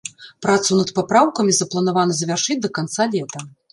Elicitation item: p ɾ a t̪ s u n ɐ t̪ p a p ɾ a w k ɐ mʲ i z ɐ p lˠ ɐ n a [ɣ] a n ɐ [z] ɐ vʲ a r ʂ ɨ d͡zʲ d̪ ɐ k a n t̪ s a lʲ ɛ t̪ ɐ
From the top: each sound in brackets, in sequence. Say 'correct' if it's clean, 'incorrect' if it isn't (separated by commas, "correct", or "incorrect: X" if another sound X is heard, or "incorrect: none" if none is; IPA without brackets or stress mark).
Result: incorrect: v, correct